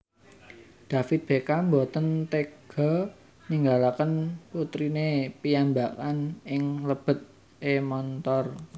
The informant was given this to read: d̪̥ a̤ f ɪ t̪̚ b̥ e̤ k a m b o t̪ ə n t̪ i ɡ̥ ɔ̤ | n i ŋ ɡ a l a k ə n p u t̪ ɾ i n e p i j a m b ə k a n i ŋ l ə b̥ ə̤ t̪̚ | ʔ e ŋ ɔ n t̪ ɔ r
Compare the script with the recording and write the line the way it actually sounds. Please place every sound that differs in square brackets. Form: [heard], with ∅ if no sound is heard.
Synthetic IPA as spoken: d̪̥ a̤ f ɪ t̪̚ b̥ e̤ k a m b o t̪ ə n t̪ [e] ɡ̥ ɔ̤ | n i ŋ ɡ a l a k ə n p u t̪ ɾ i n e p i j a m b [a] k a n [ɪ] ŋ l ə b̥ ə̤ t̪̚ | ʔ e [m] ɔ n t̪ ɔ r